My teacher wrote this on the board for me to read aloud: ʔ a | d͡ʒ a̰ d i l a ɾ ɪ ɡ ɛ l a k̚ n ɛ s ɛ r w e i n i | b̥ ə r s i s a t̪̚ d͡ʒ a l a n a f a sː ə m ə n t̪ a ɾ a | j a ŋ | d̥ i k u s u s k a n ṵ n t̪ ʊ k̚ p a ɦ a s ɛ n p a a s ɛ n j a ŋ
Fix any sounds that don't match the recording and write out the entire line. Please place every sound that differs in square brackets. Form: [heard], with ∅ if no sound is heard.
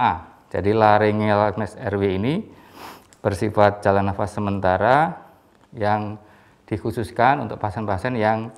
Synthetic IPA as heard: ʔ a | d͡ʒ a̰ d i l a ɾ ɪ [ŋ] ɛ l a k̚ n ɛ s ɛ r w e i n i | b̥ ə r s i [f] a t̪̚ d͡ʒ a l a n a f a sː ə m ə n t̪ a ɾ a | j a ŋ | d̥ i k u s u s k a n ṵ n t̪ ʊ k̚ p a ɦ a s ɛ n p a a s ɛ n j a ŋ